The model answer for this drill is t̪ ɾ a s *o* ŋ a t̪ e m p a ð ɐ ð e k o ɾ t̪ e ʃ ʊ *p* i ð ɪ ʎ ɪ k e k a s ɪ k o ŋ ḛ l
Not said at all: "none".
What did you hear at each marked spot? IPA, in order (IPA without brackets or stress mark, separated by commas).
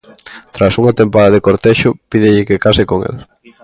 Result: u, p